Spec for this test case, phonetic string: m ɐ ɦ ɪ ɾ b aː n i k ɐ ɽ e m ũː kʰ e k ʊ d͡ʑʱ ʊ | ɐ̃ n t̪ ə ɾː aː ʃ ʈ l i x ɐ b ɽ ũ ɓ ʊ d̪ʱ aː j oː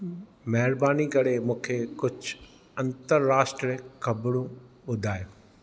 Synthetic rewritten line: m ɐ ɦ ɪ ɾ b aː n i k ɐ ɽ e m ũː kʰ e k ʊ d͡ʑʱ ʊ | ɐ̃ n t̪ ə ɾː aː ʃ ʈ ɾ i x ɐ b ɽ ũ ɓ ʊ d̪ʱ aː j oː